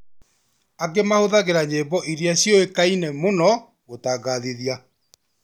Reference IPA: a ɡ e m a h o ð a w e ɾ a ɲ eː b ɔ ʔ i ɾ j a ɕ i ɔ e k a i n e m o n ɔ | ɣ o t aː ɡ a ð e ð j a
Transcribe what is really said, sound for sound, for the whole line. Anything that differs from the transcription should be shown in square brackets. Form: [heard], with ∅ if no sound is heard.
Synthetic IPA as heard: a ɡ e m a h o ð a [ɣ] e ɾ a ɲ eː b ɔ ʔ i ɾ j a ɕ [j] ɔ e k a i n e m o n ɔ | ɣ o t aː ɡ a ð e ð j a